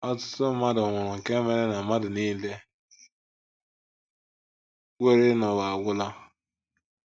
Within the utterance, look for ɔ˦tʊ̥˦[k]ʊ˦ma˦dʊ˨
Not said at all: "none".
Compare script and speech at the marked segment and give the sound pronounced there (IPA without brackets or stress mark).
t